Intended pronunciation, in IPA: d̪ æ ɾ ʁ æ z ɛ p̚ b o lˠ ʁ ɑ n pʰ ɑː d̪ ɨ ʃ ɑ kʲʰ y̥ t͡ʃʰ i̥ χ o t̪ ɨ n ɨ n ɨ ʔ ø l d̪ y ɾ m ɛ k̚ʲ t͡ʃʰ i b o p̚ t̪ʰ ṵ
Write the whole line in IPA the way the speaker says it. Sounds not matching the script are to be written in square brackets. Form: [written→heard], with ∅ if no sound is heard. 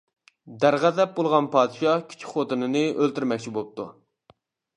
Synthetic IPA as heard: d̪ æ ɾ ʁ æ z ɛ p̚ b o lˠ ʁ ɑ n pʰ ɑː d̪ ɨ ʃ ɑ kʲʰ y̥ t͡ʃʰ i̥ χ o t̪ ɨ n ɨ n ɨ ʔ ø l [d̪→t̪] y ɾ m ɛ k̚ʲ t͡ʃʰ i b o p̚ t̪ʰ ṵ